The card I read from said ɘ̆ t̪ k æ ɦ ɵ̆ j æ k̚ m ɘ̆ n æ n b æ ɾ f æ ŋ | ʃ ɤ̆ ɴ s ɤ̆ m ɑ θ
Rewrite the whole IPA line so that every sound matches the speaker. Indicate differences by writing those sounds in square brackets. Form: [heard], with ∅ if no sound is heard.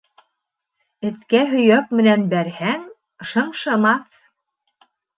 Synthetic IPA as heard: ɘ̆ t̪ k æ ɦ ɵ̆ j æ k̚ m ɘ̆ n æ n b æ ɾ [h] æ ŋ | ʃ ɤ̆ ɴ [ʃ] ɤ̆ m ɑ θ